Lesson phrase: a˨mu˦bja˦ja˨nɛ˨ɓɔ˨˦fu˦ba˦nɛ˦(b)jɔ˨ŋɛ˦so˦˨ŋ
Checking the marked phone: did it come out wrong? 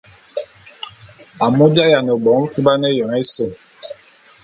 yes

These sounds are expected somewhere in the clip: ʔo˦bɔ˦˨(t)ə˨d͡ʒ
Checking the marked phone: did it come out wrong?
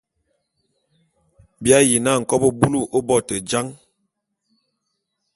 no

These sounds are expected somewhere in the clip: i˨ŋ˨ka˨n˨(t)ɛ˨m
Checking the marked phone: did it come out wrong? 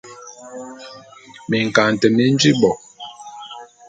no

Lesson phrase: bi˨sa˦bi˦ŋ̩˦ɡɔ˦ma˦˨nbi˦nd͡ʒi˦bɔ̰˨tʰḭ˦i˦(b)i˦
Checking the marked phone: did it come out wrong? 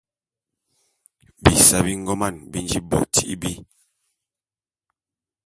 no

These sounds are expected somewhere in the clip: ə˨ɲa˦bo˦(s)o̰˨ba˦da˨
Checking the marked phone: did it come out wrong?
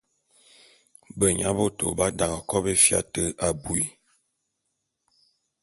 yes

